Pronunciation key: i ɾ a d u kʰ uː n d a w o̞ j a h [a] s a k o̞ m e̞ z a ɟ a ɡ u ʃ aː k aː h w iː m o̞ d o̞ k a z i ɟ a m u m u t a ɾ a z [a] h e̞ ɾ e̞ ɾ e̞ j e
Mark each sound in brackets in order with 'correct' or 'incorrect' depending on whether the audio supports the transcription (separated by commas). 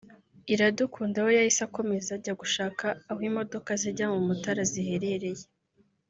incorrect, incorrect